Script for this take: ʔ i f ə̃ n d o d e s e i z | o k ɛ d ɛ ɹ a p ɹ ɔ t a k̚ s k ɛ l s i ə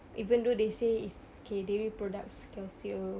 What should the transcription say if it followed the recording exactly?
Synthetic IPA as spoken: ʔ i v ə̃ n d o d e s e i s | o k e d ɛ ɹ i p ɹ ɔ d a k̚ s k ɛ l s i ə